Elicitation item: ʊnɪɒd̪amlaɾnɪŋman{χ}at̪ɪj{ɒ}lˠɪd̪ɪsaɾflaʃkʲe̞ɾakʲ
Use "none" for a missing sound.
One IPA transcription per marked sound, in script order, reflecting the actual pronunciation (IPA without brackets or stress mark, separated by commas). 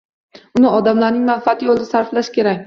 f, o